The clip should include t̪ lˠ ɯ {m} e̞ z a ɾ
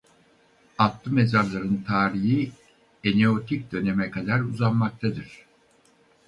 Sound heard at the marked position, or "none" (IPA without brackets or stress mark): m